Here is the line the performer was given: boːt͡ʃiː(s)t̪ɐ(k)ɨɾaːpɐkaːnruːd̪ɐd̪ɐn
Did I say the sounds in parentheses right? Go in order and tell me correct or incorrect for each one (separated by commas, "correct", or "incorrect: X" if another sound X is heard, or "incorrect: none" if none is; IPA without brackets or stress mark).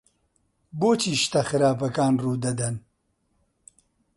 incorrect: ʃ, incorrect: x